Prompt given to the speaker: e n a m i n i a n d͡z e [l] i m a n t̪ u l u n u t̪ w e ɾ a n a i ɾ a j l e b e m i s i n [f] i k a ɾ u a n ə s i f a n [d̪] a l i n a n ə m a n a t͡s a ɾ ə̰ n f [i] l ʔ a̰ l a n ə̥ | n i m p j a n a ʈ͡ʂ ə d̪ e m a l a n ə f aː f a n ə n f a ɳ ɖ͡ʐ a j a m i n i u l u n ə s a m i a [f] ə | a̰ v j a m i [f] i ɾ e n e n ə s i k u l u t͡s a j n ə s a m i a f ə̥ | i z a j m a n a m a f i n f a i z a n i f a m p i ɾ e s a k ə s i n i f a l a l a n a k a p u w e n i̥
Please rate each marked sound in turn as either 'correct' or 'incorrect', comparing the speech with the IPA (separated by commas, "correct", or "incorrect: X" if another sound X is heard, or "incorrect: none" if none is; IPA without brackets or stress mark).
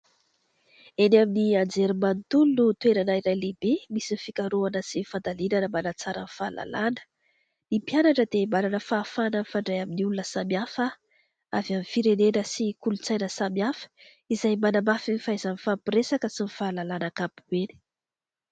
incorrect: ɾ, correct, correct, incorrect: a, correct, correct